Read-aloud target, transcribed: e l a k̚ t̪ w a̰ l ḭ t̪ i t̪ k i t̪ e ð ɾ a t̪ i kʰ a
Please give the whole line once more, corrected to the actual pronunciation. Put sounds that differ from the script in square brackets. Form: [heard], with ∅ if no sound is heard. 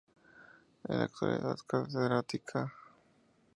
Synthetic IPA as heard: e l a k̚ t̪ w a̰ l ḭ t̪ [a] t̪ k [a] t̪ e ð ɾ a t̪ i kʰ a